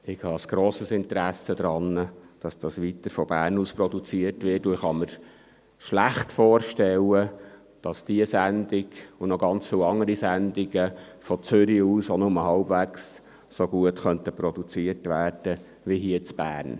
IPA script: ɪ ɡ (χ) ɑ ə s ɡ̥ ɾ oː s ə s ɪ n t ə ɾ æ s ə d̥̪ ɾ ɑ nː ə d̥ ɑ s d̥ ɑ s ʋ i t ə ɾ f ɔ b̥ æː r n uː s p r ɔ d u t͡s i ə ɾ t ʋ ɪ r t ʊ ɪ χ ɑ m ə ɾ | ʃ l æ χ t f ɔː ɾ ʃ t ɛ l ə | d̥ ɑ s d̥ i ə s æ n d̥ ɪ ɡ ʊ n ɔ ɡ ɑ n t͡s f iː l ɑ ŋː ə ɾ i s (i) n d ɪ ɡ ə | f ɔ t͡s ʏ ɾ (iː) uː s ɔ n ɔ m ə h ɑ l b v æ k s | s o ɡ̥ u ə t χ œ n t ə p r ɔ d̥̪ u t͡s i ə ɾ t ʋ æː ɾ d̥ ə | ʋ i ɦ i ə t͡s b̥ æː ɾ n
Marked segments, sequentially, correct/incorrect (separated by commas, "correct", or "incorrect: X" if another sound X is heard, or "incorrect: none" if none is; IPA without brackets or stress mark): incorrect: h, incorrect: æ, incorrect: i